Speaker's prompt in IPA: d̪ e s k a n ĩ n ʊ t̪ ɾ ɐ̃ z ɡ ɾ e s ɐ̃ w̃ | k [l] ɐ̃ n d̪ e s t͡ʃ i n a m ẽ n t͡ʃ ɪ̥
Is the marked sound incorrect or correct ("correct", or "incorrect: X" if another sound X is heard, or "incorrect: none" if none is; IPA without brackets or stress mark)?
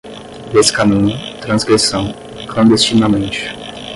correct